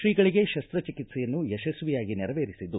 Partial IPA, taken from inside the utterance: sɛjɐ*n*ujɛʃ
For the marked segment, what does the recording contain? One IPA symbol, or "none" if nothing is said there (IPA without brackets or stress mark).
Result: nː